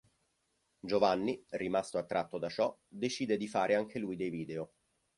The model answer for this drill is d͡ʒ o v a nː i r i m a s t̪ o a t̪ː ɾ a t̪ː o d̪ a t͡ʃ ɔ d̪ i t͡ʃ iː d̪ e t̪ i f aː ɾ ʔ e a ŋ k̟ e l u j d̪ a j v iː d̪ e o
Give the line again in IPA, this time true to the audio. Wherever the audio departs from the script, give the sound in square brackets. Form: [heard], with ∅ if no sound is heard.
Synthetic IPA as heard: d͡ʒ o v a nː i r i m a s t̪ o a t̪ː ɾ a t̪ː o d̪ a t͡ʃ ɔ d̪ [e] t͡ʃ iː d̪ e [d̪] i f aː ɾ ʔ e a ŋ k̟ e l u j d̪ [e] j v iː d̪ e o